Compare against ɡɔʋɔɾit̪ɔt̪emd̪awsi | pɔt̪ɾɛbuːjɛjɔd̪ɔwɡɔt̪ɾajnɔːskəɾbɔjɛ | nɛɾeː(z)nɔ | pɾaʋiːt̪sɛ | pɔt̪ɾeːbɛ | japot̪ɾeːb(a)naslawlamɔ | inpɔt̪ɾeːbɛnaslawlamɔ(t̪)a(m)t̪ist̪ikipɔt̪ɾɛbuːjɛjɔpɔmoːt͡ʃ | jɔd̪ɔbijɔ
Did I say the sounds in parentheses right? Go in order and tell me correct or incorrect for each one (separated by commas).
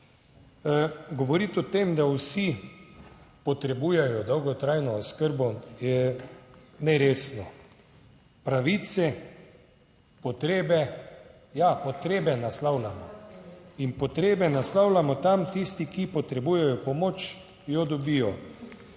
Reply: incorrect, incorrect, correct, correct